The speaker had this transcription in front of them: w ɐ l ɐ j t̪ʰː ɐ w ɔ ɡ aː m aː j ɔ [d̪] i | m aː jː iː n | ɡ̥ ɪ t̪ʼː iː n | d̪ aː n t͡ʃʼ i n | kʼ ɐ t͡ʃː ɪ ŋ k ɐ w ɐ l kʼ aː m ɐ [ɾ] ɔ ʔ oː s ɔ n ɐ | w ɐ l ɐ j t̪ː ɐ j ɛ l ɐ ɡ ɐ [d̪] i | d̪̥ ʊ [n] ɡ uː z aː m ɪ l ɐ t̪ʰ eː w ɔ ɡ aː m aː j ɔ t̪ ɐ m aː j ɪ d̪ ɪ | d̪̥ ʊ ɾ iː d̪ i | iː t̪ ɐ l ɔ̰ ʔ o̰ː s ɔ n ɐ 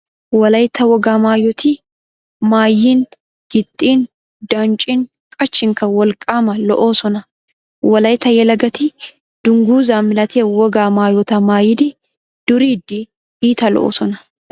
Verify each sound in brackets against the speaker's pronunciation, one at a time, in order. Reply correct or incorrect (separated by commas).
incorrect, incorrect, incorrect, incorrect